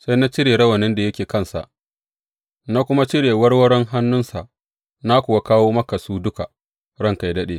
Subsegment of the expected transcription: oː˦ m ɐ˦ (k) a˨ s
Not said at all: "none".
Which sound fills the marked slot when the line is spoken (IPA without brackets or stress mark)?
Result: k